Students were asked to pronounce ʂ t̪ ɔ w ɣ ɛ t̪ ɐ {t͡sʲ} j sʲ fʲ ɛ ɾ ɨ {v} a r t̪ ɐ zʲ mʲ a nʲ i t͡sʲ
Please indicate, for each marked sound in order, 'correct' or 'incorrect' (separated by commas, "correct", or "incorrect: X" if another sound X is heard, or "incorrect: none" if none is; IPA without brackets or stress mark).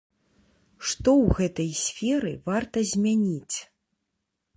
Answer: incorrect: none, correct